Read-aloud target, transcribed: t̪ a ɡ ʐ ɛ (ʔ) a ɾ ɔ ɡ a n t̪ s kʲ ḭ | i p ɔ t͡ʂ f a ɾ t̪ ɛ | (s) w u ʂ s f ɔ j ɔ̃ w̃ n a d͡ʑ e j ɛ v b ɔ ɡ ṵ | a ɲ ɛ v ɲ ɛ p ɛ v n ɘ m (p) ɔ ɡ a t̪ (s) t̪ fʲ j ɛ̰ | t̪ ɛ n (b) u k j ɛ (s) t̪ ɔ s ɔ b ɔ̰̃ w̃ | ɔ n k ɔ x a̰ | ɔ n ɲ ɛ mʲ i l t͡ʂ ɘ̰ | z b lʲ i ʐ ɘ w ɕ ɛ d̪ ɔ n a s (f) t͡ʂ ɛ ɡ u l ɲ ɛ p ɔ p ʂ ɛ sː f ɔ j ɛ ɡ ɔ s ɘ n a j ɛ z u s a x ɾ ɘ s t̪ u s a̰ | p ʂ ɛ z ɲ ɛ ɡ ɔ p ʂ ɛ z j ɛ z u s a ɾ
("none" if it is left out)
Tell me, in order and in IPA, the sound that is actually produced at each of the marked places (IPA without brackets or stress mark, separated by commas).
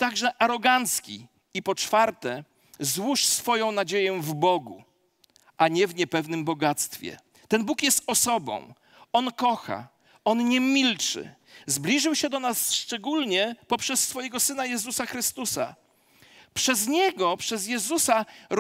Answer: ʔ, z, b, s, b, s, ʂ